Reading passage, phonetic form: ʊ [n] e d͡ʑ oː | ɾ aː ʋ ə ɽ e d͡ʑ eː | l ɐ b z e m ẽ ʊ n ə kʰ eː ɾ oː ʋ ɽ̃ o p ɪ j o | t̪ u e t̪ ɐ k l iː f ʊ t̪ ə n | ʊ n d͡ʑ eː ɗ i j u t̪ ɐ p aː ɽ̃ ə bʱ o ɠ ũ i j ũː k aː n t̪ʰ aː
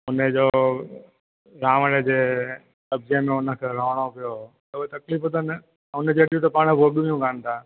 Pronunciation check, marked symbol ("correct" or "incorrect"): correct